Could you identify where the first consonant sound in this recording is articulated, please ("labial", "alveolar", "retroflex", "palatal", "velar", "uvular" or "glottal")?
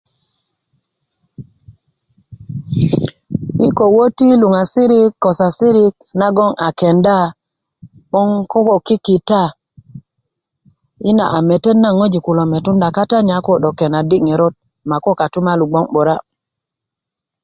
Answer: velar